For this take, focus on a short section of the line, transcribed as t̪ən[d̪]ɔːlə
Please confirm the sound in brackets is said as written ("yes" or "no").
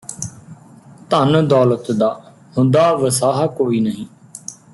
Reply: yes